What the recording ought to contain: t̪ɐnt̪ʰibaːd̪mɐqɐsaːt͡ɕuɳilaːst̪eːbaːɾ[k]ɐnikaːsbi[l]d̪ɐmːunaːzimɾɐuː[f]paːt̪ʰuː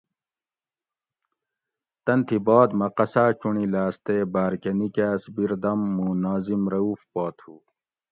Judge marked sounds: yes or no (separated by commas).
yes, no, yes